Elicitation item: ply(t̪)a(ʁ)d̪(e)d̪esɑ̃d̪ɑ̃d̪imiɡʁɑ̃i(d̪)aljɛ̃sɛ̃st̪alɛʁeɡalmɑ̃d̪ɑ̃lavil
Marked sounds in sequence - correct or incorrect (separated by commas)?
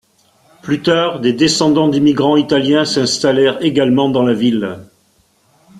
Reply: correct, correct, correct, incorrect